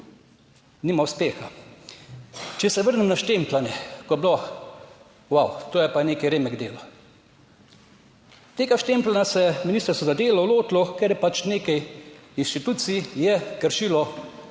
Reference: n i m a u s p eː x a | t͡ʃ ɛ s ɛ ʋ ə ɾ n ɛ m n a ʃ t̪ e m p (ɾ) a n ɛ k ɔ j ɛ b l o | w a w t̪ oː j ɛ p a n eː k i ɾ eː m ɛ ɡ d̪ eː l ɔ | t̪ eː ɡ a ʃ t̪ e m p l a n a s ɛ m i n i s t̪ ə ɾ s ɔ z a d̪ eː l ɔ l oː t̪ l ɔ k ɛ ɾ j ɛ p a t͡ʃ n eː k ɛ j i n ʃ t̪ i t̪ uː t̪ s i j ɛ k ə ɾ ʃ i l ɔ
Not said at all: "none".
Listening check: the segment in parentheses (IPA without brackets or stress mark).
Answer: l